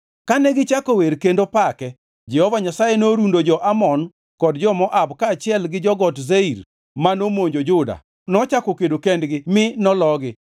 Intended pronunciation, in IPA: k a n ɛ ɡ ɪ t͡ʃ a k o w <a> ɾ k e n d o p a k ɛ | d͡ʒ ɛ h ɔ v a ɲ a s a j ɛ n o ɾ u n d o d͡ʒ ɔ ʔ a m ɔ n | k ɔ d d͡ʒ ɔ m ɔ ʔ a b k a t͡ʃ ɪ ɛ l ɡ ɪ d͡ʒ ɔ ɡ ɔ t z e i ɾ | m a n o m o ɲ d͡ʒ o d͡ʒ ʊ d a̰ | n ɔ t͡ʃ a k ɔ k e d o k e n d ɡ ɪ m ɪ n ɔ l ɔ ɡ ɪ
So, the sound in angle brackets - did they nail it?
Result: no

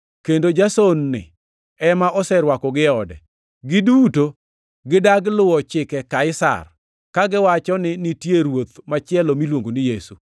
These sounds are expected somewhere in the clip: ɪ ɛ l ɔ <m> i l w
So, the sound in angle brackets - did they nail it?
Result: yes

